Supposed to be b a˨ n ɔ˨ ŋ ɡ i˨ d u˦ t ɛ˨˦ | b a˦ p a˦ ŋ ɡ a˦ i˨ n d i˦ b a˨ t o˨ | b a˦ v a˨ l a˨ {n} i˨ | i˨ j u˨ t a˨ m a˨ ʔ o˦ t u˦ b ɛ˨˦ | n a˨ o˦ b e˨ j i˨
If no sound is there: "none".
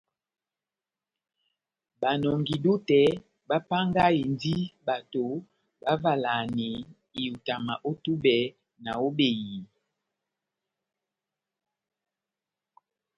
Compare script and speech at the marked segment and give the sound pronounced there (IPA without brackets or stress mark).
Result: n